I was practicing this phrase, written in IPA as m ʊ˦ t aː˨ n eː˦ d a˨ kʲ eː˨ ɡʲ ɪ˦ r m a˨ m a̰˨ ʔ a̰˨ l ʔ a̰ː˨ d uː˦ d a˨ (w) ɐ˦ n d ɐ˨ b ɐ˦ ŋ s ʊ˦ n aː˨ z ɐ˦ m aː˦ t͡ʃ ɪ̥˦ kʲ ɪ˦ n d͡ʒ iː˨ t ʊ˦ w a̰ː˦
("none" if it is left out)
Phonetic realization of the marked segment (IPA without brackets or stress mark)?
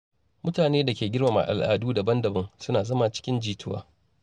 b